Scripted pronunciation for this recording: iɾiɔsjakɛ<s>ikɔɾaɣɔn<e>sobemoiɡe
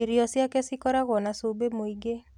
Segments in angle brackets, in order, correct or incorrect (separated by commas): correct, incorrect